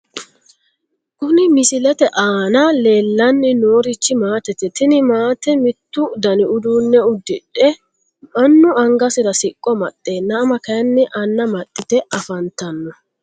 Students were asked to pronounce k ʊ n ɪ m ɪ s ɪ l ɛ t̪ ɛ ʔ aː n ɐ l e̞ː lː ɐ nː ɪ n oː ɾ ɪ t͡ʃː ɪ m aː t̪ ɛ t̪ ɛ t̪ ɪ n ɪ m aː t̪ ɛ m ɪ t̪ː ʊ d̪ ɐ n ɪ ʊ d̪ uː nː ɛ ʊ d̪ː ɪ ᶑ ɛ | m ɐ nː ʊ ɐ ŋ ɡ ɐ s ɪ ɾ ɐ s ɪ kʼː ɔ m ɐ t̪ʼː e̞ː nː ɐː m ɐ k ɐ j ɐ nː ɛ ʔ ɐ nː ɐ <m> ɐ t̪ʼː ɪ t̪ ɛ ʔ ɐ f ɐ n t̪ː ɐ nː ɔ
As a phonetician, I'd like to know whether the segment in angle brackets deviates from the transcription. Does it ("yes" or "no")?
no